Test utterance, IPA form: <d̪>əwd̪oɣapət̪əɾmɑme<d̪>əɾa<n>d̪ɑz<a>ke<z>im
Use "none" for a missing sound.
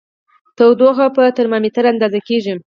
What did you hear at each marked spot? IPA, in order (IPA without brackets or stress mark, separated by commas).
t̪, t̪, n, a, ʒ